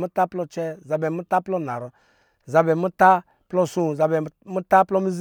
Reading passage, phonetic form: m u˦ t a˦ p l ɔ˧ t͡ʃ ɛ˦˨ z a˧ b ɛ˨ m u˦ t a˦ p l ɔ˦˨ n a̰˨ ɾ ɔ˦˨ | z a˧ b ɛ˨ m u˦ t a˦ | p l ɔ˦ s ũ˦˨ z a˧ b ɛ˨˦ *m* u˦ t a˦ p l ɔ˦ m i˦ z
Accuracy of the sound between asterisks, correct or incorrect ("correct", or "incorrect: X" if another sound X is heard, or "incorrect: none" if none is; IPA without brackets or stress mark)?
correct